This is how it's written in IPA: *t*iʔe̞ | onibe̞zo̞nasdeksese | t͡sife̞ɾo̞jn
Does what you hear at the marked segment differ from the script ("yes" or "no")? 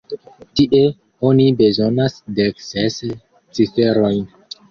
no